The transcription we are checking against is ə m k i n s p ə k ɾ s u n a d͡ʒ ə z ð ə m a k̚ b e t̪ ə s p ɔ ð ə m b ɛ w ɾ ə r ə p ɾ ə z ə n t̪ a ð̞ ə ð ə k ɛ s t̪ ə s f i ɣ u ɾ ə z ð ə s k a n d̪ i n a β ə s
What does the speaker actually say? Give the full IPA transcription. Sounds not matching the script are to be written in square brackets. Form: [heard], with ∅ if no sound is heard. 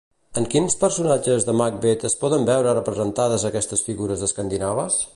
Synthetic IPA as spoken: ə [ŋ] k i n s p ə [∅] ɾ s u n a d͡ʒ ə z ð ə m a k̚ b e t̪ ə s p ɔ ð ə m b ɛ w ɾ ə r ə p ɾ ə z ə n t̪ a ð̞ ə [z] ə k ɛ s t̪ ə s f i ɣ u ɾ ə z ð ə s k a n d̪ i n a β ə s